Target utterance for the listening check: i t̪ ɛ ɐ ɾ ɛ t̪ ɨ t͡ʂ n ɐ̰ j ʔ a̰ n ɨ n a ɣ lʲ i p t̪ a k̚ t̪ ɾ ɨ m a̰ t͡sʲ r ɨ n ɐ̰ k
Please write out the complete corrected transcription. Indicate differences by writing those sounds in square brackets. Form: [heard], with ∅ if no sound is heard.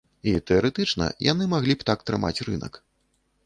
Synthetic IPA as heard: i t̪ ɛ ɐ ɾ ɛ t̪ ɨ t͡ʂ n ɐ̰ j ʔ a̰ n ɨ [m] a ɣ lʲ i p t̪ a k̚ t̪ ɾ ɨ m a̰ t͡sʲ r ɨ n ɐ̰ k